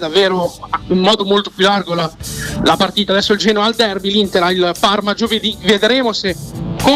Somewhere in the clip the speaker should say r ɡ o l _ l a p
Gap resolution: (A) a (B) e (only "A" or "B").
A